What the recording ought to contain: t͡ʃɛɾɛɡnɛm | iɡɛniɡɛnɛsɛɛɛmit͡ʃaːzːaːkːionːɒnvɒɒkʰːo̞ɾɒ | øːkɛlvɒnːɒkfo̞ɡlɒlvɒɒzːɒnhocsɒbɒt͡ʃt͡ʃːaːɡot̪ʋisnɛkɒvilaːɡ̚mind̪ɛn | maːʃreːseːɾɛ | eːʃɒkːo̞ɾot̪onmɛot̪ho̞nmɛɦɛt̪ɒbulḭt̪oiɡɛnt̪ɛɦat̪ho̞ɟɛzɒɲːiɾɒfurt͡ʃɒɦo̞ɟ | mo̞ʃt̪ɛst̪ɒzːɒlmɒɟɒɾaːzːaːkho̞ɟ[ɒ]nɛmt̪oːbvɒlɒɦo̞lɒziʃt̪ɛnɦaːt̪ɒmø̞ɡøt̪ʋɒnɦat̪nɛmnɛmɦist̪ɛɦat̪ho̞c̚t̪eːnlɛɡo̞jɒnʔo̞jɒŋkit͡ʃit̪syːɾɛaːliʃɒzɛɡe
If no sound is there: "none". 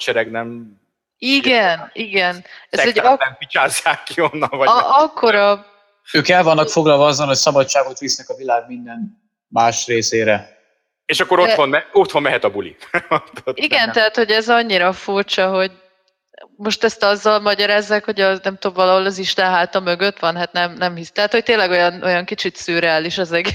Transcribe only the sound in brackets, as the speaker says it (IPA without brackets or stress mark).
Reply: ɒ